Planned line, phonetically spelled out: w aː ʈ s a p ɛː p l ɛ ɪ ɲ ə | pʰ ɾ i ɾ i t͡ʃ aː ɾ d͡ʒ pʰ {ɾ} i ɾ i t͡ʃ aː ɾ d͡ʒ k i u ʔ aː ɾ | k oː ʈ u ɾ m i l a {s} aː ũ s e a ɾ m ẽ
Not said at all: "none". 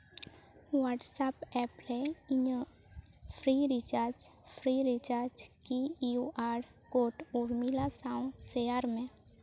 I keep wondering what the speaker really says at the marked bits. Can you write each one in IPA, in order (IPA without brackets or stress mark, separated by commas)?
ɾ, s